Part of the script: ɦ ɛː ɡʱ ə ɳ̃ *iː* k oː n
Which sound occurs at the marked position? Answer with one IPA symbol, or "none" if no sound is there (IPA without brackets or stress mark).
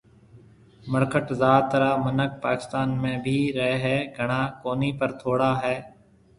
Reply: aː